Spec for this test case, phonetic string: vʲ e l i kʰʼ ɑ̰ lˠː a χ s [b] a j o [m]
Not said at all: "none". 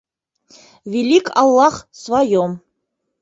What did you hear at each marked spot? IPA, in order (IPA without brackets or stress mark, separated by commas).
v, m